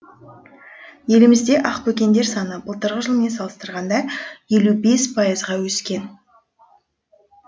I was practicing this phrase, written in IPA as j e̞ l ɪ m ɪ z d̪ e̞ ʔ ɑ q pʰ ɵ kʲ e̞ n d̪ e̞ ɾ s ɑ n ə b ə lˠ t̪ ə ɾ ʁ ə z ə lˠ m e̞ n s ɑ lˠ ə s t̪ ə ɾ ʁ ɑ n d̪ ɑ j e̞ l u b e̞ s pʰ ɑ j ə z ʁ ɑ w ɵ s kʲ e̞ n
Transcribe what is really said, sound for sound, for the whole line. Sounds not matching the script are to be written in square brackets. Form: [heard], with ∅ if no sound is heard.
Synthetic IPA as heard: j e̞ l ɪ m ɪ z d̪ e̞ ʔ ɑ q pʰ ɵ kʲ e̞ n d̪ e̞ ɾ s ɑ n ə b ə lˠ t̪ ə ɾ ʁ ə [ʒ] ə lˠ m e̞ n s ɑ lˠ ə s t̪ ə ɾ ʁ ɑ n d̪ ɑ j e̞ l u b e̞ s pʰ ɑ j ə z ʁ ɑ w ɵ s kʲ e̞ n